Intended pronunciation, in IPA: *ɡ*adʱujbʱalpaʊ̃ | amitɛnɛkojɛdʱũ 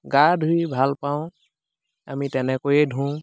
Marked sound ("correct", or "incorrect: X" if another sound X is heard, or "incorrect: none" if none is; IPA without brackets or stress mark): correct